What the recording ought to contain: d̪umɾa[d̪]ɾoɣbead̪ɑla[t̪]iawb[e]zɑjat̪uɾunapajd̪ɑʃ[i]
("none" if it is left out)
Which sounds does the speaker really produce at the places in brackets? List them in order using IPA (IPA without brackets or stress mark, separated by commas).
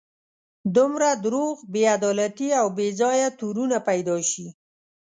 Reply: d̪, t̪, e, i